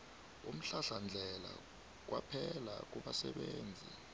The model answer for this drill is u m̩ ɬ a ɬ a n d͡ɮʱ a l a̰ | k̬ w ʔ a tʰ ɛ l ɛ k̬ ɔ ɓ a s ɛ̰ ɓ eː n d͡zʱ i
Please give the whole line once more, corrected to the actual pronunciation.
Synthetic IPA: u m̩ ɬ a ɬ a n d͡ɮʱ ɛ l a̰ | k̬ w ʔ a pʰ ɛ l a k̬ u ɓ a s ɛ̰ ɓ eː n d͡zʱ i